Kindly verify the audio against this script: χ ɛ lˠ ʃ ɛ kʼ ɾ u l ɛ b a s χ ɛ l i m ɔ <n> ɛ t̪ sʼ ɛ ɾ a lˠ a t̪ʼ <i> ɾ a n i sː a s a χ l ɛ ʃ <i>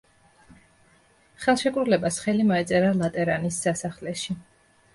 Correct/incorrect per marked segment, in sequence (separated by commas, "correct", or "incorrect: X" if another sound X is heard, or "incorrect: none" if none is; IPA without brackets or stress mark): incorrect: none, incorrect: ɛ, correct